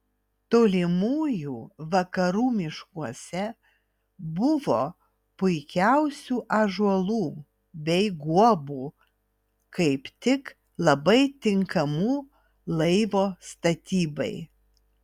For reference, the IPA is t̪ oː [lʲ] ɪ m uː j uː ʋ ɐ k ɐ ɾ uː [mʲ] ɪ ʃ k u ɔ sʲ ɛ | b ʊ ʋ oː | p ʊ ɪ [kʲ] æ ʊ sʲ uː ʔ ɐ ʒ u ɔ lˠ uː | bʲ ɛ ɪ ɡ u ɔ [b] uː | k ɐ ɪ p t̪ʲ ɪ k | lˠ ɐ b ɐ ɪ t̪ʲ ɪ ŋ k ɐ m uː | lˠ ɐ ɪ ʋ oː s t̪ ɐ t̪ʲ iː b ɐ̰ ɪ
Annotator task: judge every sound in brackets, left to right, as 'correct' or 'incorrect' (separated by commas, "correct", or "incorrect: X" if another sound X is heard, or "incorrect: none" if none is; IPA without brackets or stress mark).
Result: correct, correct, correct, correct